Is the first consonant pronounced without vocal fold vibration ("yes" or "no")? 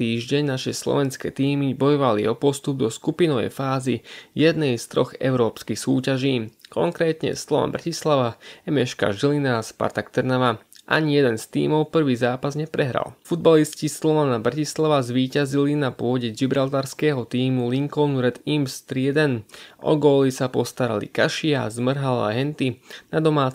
no